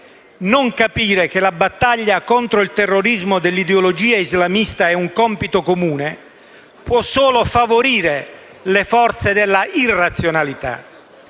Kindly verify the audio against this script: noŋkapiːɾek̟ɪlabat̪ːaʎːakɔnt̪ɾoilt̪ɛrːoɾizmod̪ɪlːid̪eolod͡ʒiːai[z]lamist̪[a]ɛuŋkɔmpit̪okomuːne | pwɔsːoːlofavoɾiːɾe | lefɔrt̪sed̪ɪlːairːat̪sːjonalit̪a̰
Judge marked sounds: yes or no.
yes, yes

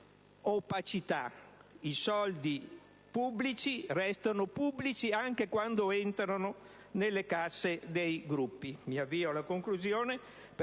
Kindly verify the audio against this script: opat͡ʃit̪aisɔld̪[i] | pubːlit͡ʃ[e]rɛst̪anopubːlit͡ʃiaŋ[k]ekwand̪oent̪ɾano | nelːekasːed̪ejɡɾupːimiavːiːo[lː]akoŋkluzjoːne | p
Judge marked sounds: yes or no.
yes, no, yes, no

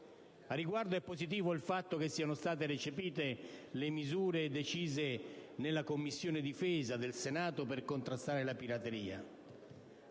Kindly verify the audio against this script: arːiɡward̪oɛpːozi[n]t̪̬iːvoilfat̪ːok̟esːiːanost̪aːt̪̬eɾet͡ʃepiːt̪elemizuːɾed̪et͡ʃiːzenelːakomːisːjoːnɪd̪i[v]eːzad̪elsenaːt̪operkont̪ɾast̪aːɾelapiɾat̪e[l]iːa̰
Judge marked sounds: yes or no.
no, no, no

